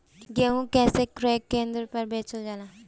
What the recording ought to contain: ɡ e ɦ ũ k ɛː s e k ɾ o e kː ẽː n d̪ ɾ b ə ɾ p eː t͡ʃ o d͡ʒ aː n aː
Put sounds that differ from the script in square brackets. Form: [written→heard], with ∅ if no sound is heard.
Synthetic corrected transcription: ɡ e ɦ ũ k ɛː s e k ɾ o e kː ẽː n d̪ ɾ [b→p] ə ɾ [p→b] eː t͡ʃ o d͡ʒ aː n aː

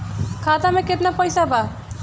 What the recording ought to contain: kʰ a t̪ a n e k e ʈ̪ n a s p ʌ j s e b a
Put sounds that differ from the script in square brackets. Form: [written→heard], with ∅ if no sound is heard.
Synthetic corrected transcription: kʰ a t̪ a [n→m] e k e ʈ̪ n a [s→∅] p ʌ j s [e→a] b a

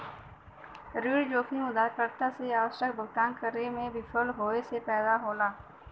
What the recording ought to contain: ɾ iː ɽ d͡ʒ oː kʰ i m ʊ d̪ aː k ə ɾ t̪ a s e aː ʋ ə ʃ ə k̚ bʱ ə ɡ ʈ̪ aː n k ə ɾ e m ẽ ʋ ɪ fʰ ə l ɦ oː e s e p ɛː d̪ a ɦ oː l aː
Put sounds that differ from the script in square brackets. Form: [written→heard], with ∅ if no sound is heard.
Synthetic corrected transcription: ɾ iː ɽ d͡ʒ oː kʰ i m ʊ d̪ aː k ə ɾ t̪ a s e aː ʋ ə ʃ ə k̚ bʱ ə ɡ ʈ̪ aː n k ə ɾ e m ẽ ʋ ɪ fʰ ə l ɦ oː e s e p ɛː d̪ a ɦ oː l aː

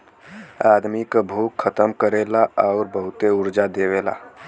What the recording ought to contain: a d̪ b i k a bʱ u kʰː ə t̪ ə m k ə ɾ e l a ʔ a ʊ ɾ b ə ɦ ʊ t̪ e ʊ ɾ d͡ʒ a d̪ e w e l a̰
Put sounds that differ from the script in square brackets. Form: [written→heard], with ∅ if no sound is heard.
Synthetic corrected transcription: a d̪ [b→m] i k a bʱ u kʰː ə t̪ ə m k ə ɾ e l a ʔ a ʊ ɾ b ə ɦ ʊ t̪ e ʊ ɾ d͡ʒ a d̪ e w e l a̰

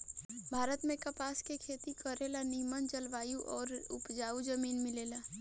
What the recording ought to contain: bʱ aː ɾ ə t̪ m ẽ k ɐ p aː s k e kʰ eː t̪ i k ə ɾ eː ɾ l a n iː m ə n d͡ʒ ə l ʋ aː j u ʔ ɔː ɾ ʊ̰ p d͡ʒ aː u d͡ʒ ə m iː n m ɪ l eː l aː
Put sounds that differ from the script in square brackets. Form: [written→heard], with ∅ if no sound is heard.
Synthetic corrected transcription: bʱ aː ɾ ə t̪ m ẽ k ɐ p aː s k e kʰ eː t̪ i k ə ɾ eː [ɾ→∅] l a n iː m ə n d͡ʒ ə l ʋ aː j u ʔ ɔː ɾ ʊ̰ p d͡ʒ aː u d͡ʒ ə m iː n m ɪ l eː l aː

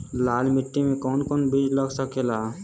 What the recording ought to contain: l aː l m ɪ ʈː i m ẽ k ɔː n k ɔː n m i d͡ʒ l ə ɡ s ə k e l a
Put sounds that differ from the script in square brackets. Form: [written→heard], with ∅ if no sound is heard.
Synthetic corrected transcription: l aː l m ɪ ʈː i m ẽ k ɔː n k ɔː n [m→b] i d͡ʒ l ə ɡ s ə k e l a

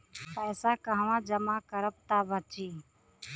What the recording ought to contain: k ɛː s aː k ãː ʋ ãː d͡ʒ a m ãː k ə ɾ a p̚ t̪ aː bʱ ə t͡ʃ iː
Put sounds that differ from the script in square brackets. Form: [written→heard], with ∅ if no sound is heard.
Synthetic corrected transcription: [k→p] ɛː s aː k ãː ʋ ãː d͡ʒ [a→ə] m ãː k ə ɾ [a→ə] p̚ t̪ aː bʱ ə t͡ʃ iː

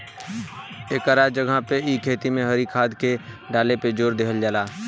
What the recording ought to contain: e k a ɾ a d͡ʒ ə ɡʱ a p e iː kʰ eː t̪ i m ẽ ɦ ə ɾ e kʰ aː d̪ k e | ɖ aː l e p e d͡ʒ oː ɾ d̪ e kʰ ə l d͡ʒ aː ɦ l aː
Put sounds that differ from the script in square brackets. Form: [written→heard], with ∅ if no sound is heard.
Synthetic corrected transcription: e k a ɾ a d͡ʒ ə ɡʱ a p e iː kʰ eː t̪ i m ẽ ɦ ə ɾ [e→i] kʰ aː d̪ k e | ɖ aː l e p e d͡ʒ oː ɾ d̪ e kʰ ə l d͡ʒ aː [ɦ→∅] l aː

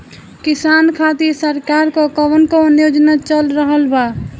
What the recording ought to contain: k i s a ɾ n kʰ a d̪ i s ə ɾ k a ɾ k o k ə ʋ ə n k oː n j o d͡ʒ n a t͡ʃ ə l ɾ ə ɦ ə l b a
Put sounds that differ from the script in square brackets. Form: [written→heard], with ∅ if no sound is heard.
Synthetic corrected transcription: k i s a [ɾ→∅] n kʰ a [d̪→t̪] i s ə ɾ k a ɾ k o k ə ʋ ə n k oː n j o d͡ʒ n a t͡ʃ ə l ɾ ə ɦ ə l b a

